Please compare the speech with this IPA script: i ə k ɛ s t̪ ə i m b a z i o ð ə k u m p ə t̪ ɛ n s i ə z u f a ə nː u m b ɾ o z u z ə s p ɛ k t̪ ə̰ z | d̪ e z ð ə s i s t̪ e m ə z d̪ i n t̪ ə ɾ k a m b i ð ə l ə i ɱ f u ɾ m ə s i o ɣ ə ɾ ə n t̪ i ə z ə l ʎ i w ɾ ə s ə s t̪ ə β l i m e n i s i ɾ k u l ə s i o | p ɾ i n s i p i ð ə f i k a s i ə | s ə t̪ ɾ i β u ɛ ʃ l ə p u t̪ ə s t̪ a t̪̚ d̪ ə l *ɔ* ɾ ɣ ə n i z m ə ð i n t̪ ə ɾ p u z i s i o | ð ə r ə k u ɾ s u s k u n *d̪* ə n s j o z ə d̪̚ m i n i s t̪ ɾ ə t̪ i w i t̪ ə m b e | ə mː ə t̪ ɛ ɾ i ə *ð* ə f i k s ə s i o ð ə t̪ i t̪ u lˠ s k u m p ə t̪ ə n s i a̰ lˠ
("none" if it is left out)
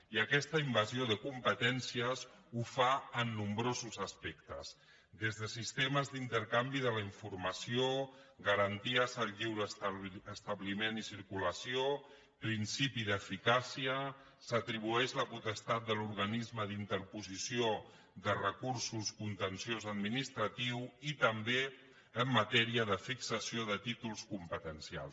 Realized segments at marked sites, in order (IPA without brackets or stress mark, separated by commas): u, t̪, ð